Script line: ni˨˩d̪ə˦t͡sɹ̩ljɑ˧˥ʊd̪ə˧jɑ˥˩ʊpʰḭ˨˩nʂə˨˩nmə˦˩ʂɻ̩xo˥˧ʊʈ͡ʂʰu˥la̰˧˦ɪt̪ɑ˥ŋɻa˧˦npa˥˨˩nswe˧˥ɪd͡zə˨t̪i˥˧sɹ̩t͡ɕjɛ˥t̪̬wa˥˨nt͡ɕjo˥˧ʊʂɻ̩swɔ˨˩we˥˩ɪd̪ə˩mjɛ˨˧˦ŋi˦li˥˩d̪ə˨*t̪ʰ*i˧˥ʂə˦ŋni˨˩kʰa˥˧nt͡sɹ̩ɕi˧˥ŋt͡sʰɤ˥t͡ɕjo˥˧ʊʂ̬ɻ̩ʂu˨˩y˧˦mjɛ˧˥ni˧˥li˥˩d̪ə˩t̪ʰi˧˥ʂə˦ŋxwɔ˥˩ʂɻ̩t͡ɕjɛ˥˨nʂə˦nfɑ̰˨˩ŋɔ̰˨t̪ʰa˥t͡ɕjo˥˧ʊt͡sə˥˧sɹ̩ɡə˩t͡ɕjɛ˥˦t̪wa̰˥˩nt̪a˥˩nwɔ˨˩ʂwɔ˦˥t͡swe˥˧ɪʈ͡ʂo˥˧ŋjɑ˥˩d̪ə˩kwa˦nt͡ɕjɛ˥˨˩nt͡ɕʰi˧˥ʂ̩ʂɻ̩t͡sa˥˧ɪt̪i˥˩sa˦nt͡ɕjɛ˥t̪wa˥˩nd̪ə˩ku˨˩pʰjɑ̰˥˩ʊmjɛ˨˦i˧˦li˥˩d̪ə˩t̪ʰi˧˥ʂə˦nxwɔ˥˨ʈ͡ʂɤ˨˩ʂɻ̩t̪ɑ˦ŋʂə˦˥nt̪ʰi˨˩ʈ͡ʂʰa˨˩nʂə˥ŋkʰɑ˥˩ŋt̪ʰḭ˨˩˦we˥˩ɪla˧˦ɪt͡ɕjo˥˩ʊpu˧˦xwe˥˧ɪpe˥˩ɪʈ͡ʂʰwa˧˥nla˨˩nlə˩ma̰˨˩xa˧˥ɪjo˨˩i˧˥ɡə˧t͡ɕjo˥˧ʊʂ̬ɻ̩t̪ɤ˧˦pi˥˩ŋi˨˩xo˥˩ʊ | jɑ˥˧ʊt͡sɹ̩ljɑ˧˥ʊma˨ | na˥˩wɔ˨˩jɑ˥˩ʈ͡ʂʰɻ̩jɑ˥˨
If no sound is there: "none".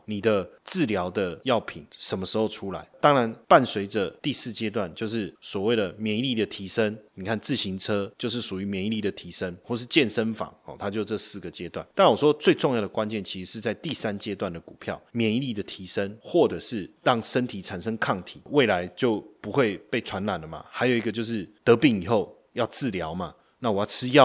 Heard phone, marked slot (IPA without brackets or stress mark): t̪ʰ